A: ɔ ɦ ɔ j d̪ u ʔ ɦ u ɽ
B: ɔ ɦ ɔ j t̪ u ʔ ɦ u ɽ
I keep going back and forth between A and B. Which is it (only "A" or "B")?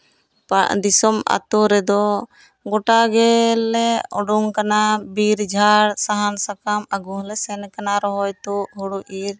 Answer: B